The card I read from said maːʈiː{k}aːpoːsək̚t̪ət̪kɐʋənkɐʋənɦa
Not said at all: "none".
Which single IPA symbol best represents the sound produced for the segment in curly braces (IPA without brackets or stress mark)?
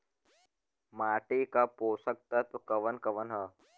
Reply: k